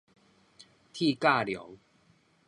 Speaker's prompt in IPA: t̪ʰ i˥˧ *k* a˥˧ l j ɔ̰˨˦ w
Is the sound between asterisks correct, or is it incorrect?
correct